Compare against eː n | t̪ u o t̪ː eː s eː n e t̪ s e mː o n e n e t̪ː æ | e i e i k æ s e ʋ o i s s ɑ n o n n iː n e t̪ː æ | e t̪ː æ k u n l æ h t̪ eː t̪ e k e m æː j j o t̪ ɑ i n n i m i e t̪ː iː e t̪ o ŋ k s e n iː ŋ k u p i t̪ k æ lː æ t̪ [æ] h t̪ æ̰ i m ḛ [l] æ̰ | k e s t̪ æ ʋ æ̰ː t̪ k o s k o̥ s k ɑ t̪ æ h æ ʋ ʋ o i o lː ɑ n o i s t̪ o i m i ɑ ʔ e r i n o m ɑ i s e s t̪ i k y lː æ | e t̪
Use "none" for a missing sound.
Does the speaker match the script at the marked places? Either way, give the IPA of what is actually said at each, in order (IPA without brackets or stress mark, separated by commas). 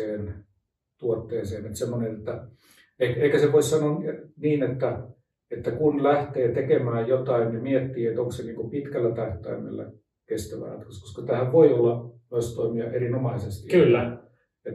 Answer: æ, lː